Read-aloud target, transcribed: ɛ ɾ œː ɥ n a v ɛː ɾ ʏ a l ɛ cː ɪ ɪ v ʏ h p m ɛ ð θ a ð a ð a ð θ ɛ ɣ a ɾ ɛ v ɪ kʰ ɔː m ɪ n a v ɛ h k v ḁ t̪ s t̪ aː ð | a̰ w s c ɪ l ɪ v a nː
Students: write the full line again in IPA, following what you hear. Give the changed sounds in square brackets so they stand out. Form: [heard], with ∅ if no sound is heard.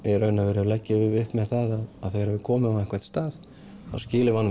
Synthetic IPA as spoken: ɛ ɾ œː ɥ n a v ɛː ɾ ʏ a l ɛ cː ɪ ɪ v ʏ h p m ɛ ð θ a ð a ð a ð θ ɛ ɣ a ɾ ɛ v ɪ kʰ ɔː m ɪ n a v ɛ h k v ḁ t̪ s t̪ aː ð | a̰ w s c [ɪː] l ɪ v a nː